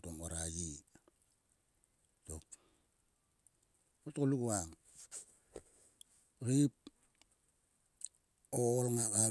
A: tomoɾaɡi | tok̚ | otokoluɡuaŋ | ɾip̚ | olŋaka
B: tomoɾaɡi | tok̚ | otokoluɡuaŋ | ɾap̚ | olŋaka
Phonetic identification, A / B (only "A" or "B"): A